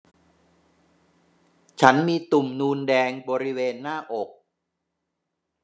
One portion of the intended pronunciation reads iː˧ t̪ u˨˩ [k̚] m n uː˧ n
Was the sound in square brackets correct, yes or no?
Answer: no